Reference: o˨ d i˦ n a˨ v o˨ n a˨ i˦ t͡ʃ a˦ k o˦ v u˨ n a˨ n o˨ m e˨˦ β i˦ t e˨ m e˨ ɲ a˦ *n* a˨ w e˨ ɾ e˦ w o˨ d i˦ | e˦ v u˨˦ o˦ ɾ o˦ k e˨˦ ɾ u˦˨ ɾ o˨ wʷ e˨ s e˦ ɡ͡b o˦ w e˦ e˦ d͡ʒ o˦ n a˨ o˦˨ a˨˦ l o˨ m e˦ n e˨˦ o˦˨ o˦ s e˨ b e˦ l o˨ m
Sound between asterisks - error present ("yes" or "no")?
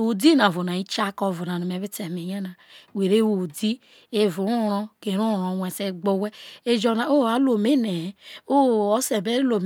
no